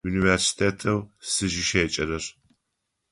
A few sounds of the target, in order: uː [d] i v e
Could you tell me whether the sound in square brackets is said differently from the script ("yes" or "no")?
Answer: yes